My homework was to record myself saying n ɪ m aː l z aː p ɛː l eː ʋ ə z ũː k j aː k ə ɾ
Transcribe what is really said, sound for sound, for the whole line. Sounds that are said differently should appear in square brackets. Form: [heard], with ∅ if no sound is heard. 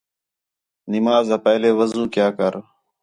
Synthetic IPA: n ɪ m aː [∅] z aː p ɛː l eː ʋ ə z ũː k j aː k ə ɾ

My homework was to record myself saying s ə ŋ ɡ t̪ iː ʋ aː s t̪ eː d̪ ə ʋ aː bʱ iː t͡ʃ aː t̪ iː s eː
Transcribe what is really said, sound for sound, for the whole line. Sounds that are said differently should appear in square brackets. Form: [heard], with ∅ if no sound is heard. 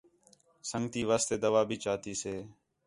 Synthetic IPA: s ə ŋ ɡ t̪ iː ʋ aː s t̪ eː d̪ ə ʋ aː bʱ iː t͡ʃ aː t̪ iː s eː

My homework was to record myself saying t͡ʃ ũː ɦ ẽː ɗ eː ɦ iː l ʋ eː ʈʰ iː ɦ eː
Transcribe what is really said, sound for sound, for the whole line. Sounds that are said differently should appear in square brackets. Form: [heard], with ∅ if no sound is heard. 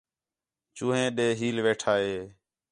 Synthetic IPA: t͡ʃ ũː ɦ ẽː ɗ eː ɦ iː l ʋ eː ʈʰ [aː] ɦ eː

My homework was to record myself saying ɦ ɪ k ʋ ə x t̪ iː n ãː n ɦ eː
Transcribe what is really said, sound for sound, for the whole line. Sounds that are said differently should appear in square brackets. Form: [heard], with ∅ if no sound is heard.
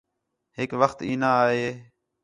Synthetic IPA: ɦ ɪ k ʋ ə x t̪ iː n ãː [∅] ɦ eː

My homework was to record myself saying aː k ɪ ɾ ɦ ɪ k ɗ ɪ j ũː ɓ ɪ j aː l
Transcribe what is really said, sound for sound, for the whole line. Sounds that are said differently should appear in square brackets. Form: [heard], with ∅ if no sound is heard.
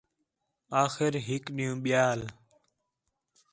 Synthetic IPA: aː [x] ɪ ɾ ɦ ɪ k ɗ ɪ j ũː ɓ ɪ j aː l

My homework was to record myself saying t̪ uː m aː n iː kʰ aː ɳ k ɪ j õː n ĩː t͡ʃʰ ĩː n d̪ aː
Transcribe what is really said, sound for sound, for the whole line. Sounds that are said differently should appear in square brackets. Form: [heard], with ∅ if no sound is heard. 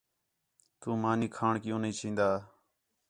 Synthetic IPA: t̪ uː m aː n iː kʰ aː ɳ k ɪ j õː n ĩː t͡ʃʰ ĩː n d̪ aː

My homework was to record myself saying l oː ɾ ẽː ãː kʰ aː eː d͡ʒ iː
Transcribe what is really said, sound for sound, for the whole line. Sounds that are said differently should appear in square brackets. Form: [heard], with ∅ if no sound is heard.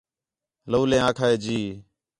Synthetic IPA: l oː [l] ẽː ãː kʰ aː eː d͡ʒ iː

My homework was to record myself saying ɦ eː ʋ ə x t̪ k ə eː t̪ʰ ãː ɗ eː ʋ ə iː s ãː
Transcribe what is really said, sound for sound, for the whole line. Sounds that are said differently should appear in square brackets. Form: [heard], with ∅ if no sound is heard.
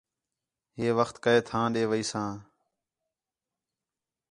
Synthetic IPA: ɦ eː ʋ ə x t̪ k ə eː t̪ʰ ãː ɗ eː ʋ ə iː s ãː

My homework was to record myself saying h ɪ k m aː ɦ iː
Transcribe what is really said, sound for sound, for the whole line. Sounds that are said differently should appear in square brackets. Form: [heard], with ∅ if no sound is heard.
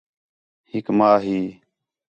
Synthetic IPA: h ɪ k m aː ɦ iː

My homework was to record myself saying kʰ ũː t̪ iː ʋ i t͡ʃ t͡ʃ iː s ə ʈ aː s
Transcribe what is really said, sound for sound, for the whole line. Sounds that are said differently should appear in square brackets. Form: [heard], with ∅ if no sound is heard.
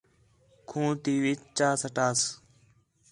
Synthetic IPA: kʰ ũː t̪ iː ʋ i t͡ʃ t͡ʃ [aː] s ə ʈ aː s

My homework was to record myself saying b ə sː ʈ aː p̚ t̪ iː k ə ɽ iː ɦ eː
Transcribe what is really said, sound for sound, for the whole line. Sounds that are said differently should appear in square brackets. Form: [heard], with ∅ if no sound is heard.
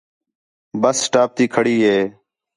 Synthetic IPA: b ə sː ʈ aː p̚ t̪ iː [kʰ] ə ɽ iː ɦ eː

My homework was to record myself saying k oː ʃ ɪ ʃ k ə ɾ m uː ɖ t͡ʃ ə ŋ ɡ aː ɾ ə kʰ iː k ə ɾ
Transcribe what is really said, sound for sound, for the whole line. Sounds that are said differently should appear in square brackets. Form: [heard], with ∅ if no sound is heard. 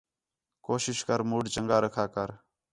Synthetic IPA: k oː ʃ ɪ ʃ k ə ɾ m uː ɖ t͡ʃ ə ŋ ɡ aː ɾ ə kʰ [aː] k ə ɾ

